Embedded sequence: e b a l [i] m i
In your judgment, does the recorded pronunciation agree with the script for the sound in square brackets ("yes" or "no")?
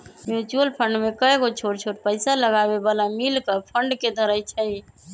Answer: no